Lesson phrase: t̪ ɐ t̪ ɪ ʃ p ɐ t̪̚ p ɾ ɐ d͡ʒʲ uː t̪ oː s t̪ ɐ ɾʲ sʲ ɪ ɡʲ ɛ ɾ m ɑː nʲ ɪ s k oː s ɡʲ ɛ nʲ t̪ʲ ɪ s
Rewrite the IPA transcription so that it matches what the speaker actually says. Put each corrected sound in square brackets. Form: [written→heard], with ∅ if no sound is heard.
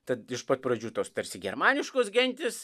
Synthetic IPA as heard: t̪ ɐ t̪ ɪ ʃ p ɐ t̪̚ p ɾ ɐ d͡ʒʲ uː t̪ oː s t̪ ɐ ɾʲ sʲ ɪ ɡʲ ɛ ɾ m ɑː nʲ ɪ [s→ʃ] k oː s ɡʲ ɛ nʲ t̪ʲ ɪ s

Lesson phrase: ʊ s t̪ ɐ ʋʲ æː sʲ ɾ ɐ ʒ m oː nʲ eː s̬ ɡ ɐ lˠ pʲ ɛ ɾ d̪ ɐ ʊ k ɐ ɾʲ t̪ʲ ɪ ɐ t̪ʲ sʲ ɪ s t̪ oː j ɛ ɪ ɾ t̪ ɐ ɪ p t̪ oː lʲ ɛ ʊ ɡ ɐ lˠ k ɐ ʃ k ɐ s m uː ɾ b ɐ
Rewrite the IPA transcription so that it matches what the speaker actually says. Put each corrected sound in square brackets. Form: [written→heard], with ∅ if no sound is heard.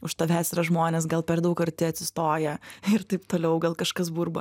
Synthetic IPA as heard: ʊ [s→ʃ] t̪ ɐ ʋʲ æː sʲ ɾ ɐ ʒ m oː nʲ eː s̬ ɡ ɐ lˠ pʲ ɛ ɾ d̪ ɐ ʊ k ɐ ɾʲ t̪ʲ ɪ ɐ t̪ʲ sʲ ɪ s t̪ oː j ɛ ɪ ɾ t̪ ɐ ɪ p t̪ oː lʲ ɛ ʊ ɡ ɐ lˠ k ɐ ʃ k ɐ s [m→b] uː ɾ b ɐ

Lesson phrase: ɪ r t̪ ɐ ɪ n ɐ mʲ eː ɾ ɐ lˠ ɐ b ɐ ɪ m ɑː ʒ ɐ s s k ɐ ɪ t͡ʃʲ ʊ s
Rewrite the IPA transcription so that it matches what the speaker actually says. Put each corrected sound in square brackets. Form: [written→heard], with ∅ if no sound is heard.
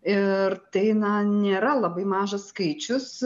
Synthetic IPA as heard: ɪ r t̪ ɐ ɪ n ɐ [mʲ→nʲ] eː ɾ ɐ lˠ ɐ b ɐ ɪ m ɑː ʒ ɐ s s k ɐ ɪ t͡ʃʲ ʊ s

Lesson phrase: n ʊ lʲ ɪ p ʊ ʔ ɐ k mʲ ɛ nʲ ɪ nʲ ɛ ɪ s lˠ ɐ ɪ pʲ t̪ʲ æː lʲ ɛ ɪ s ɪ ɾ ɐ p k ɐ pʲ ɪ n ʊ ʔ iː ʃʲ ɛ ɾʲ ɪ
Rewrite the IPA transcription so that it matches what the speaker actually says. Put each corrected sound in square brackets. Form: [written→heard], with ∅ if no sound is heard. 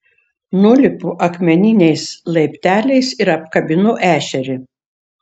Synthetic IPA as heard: n ʊ lʲ ɪ p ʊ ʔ ɐ k mʲ ɛ nʲ ɪ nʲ ɛ ɪ s lˠ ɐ ɪ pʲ t̪ʲ æː lʲ ɛ ɪ s ɪ ɾ ɐ p k ɐ [pʲ→bʲ] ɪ n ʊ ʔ [iː→æː] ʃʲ ɛ ɾʲ ɪ

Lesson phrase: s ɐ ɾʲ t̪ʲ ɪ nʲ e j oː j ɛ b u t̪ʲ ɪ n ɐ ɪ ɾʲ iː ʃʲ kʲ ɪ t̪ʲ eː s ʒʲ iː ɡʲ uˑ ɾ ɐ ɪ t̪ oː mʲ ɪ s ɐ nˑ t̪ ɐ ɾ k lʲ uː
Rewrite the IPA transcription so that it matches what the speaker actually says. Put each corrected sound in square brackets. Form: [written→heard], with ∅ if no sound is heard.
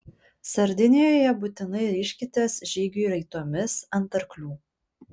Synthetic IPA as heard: s ɐ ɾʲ [t̪ʲ→d̪ʲ] ɪ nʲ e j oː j ɛ b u t̪ʲ ɪ n ɐ ɪ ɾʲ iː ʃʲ kʲ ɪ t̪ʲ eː s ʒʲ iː ɡʲ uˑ ɾ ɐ ɪ t̪ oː mʲ ɪ s ɐ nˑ t̪ ɐ ɾ k lʲ uː

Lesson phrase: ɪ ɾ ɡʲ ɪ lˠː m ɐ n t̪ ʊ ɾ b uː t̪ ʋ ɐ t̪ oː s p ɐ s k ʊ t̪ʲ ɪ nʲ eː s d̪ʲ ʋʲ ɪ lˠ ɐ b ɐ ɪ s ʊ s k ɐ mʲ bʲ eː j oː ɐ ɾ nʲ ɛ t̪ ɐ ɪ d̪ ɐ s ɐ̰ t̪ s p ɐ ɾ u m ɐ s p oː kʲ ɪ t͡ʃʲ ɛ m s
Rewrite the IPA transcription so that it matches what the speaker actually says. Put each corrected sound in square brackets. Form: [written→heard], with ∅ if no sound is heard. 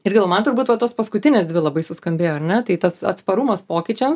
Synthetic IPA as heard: ɪ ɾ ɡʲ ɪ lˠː m ɐ n t̪ ʊ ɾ b uː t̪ ʋ ɐ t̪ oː s p ɐ s k ʊ t̪ʲ ɪ nʲ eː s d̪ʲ ʋʲ ɪ lˠ ɐ b ɐ ɪ s ʊ s k ɐ mʲ bʲ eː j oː ɐ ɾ nʲ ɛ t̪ ɐ ɪ [d̪→t̪] ɐ s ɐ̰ t̪ s p ɐ ɾ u m ɐ s p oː kʲ ɪ t͡ʃʲ ɛ m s

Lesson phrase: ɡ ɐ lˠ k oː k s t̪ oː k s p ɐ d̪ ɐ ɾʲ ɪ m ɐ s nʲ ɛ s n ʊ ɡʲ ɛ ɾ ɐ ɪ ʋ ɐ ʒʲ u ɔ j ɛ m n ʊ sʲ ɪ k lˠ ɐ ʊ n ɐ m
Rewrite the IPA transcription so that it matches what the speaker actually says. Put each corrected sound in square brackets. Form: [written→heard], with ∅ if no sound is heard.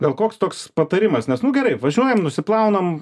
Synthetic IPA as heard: ɡ ɐ lˠ k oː k s t̪ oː k s p ɐ [d̪→t̪] ɐ ɾʲ ɪ m ɐ s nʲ ɛ s n ʊ ɡʲ ɛ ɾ ɐ ɪ ʋ ɐ ʒʲ u ɔ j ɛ m n ʊ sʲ ɪ [k→p] lˠ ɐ ʊ n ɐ m

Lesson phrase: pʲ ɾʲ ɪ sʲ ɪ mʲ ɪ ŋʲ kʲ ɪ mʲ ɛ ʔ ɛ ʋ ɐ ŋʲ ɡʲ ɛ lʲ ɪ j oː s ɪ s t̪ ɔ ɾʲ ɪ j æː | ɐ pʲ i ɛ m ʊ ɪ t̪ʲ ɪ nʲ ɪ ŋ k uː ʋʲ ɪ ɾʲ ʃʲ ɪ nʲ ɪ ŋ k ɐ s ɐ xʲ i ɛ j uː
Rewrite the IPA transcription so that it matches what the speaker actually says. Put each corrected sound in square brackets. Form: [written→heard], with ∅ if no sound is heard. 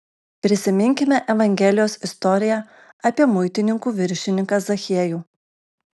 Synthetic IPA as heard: pʲ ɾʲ ɪ sʲ ɪ mʲ ɪ ŋʲ kʲ ɪ mʲ ɛ ʔ ɛ ʋ ɐ ŋʲ ɡʲ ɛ lʲ ɪ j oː s ɪ s t̪ ɔ ɾʲ ɪ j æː | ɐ pʲ i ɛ m ʊ ɪ t̪ʲ ɪ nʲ ɪ ŋ k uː ʋʲ ɪ ɾʲ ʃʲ ɪ nʲ ɪ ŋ k ɐ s ɐ xʲ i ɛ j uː

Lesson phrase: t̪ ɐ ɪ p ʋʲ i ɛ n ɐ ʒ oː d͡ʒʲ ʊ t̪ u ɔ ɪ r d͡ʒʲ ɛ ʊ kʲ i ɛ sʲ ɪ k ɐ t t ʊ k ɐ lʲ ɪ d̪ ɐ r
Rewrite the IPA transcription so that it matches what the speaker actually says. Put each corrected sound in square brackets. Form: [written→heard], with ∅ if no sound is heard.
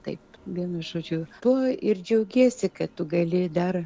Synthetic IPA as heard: t̪ ɐ ɪ p ʋʲ i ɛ n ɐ ʒ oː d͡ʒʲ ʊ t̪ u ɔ ɪ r d͡ʒʲ ɛ ʊ [kʲ→ɡʲ] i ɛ sʲ ɪ k ɐ t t ʊ [k→ɡ] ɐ lʲ ɪ d̪ ɐ r

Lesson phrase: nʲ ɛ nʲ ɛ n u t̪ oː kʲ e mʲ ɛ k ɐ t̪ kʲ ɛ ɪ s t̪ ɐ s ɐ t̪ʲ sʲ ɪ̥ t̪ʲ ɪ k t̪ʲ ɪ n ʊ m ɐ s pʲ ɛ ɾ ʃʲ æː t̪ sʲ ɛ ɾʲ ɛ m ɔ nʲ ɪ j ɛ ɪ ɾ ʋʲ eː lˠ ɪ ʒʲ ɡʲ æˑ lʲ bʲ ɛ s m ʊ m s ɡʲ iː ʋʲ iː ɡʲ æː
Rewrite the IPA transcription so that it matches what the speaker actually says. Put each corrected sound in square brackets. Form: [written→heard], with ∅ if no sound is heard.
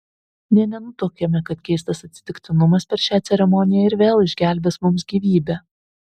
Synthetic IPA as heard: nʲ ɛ nʲ ɛ n [u→ʊ] t̪ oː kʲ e mʲ ɛ k ɐ t̪ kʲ ɛ ɪ s t̪ ɐ s ɐ t̪ʲ sʲ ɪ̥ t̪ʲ ɪ k t̪ʲ ɪ n ʊ m ɐ s pʲ ɛ ɾ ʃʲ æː t̪ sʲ ɛ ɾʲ ɛ m ɔ nʲ ɪ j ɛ ɪ ɾ ʋʲ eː lˠ ɪ ʒʲ ɡʲ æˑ lʲ bʲ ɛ s m ʊ m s ɡʲ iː ʋʲ iː [ɡʲ→bʲ] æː

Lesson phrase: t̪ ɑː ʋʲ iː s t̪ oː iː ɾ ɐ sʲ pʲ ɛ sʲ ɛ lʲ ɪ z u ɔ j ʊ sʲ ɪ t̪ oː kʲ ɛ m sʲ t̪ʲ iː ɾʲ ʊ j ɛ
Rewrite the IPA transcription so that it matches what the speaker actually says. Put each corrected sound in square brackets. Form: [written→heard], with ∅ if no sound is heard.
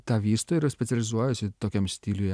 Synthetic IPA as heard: t̪ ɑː ʋʲ iː s t̪ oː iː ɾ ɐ sʲ pʲ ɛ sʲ ɛ lʲ ɪ z u ɔ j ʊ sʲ ɪ t̪ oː kʲ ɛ m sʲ t̪ʲ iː [ɾʲ→lʲ] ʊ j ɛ

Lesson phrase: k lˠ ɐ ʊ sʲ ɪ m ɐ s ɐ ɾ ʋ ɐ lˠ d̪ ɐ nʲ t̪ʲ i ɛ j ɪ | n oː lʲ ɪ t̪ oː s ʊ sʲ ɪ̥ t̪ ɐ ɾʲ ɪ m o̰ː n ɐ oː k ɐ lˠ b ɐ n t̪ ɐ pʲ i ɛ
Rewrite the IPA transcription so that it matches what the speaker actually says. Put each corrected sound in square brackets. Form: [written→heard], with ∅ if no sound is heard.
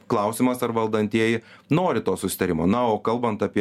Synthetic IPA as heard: k lˠ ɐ ʊ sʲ ɪ m ɐ s ɐ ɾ ʋ ɐ lˠ d̪ ɐ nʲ t̪ʲ i ɛ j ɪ | n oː [lʲ→ɾʲ] ɪ t̪ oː s ʊ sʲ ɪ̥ t̪ ɐ ɾʲ ɪ m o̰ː n ɐ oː k ɐ lˠ b ɐ n t̪ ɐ pʲ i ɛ

